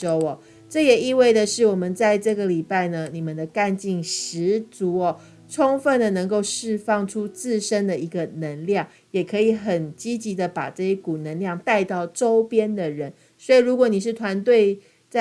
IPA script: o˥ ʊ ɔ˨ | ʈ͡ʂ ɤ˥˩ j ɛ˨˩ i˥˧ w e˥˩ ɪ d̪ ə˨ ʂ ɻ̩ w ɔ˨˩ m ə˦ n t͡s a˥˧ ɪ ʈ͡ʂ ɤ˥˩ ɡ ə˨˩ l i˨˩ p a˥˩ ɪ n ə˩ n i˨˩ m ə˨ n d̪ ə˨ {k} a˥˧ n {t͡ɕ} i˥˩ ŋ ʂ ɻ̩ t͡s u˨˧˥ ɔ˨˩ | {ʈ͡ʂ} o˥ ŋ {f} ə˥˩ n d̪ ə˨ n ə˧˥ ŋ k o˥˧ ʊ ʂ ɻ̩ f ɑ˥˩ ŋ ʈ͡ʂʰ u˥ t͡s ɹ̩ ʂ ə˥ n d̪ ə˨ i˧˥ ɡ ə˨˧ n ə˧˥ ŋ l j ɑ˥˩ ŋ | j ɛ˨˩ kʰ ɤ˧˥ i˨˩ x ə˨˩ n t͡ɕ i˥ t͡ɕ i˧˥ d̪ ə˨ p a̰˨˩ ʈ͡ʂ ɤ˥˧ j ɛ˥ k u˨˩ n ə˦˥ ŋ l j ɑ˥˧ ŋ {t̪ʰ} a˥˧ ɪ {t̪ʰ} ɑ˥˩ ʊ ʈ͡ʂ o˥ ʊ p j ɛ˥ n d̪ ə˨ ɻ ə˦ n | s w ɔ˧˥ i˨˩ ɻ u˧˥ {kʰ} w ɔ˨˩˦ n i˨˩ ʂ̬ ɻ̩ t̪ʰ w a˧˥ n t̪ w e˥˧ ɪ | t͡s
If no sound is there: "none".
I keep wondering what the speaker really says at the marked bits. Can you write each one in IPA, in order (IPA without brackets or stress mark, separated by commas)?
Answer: k, t͡ɕ, ʈ͡ʂʰ, f, t̪, t̪, k